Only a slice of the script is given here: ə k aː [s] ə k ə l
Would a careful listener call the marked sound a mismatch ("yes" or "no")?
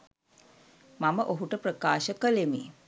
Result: yes